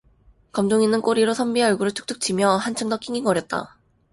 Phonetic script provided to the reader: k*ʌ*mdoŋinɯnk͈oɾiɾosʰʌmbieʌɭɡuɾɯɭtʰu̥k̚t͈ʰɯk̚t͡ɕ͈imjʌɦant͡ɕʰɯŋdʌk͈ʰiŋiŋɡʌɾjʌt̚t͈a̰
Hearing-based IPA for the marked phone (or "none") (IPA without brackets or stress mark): ʌ